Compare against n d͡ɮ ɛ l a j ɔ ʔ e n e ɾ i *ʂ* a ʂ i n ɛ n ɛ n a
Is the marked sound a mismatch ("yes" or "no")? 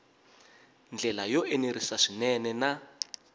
yes